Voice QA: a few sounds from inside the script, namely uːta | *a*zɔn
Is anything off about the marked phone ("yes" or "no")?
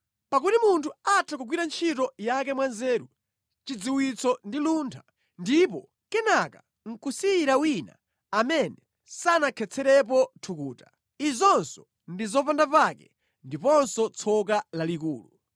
yes